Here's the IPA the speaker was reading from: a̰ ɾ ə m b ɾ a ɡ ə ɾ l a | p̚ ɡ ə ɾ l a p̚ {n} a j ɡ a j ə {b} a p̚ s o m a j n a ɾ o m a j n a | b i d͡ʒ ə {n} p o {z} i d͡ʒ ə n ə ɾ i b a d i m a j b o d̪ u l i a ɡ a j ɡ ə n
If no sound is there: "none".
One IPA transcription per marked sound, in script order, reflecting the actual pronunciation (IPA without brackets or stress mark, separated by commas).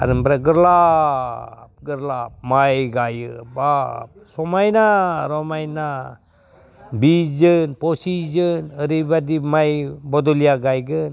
m, b, n, s